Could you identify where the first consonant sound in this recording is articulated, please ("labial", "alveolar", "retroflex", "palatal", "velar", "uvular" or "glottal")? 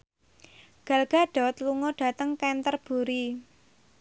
velar